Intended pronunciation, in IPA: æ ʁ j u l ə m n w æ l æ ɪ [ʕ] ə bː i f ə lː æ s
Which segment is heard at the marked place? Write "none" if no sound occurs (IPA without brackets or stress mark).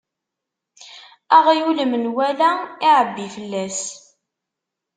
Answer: ʕ